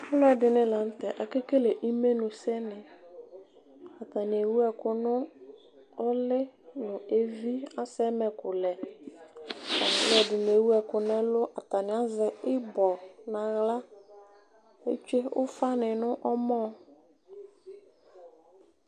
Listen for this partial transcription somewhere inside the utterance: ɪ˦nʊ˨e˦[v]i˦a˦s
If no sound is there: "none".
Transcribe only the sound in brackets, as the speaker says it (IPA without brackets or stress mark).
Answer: v